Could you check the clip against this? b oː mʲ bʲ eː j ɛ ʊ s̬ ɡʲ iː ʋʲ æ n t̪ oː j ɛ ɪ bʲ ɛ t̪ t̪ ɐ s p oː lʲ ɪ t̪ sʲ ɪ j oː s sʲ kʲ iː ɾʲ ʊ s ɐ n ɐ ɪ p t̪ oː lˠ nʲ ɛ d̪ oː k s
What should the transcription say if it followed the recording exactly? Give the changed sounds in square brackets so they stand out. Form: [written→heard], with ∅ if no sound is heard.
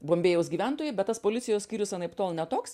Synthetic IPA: b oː mʲ bʲ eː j ɛ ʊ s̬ ɡʲ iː ʋʲ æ n t̪ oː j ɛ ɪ bʲ ɛ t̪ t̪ ɐ s p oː lʲ ɪ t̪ sʲ ɪ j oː s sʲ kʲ iː ɾʲ ʊ s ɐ n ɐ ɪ p t̪ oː lˠ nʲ ɛ [d̪→t̪] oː k s